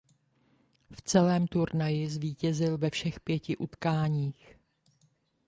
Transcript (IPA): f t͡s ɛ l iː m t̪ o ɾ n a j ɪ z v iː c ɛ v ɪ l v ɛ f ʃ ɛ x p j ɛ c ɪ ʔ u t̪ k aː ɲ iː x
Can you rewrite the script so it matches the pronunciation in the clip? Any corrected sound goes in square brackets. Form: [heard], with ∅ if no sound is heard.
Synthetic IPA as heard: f t͡s ɛ l [ɛː] m t̪ [u] ɾ n a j ɪ z v iː c ɛ [z] ɪ l v ɛ f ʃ ɛ x p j ɛ c ɪ ʔ u t̪ k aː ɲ iː x